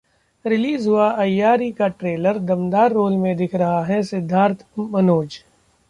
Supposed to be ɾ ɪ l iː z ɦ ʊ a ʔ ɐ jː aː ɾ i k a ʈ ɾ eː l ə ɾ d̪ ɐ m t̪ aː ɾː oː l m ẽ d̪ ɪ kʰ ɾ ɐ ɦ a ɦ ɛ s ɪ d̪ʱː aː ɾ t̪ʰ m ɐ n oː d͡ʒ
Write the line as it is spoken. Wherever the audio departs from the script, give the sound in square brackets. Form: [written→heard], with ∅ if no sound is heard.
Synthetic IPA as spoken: ɾ ɪ l iː z ɦ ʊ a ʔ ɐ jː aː ɾ i k a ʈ ɾ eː l ə ɾ d̪ ɐ m [t̪→d̪] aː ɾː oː l m ẽ d̪ ɪ kʰ ɾ ɐ ɦ a ɦ ɛ s ɪ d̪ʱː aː ɾ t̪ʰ m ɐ n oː d͡ʒ